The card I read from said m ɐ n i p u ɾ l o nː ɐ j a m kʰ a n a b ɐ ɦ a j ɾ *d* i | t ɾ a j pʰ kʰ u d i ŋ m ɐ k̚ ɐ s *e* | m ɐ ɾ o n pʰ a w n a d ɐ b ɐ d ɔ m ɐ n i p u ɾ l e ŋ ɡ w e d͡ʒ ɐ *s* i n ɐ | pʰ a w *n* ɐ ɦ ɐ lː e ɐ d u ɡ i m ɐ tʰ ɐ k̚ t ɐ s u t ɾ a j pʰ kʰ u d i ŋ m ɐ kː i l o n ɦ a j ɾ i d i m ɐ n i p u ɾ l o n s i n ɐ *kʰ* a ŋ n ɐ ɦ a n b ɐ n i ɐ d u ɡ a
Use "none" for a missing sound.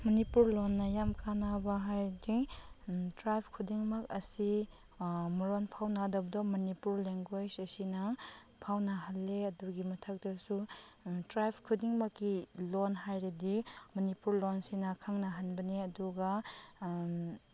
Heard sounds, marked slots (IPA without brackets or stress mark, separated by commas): d, i, s, n, kʰ